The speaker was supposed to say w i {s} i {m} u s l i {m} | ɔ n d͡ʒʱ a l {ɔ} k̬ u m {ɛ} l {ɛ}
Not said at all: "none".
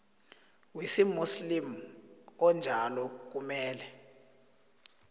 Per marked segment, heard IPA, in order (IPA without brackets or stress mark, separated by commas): s, m, m, ɔ, ɛː, ɛ